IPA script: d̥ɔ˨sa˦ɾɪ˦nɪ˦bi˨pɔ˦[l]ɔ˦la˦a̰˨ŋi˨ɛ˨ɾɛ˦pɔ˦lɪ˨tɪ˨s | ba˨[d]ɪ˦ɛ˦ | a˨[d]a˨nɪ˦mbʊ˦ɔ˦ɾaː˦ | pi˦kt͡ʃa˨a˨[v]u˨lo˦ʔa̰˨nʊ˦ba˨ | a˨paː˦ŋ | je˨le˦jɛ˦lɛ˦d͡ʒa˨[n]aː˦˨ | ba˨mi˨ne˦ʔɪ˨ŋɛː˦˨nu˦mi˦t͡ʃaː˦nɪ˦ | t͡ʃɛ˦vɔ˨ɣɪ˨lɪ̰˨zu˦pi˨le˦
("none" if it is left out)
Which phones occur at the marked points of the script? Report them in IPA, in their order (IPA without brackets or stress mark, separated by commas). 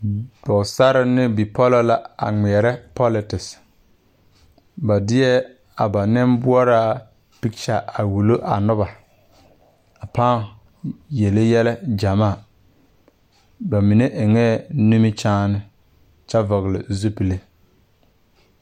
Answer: l, d, b, w, m